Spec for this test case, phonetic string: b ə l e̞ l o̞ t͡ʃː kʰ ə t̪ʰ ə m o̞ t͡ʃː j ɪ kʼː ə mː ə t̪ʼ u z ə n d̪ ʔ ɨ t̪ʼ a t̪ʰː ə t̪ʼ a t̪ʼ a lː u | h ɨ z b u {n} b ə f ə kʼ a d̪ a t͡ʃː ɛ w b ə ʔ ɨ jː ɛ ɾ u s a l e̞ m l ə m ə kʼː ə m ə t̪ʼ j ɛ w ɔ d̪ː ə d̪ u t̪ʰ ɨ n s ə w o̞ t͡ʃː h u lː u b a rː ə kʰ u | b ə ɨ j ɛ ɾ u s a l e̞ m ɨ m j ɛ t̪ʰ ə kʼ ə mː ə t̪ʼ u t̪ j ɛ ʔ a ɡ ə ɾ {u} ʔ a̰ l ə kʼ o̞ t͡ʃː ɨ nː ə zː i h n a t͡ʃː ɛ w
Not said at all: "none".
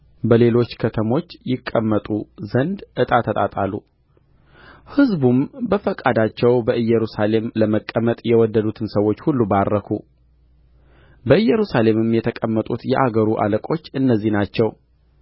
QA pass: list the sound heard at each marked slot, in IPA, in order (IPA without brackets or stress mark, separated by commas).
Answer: m, u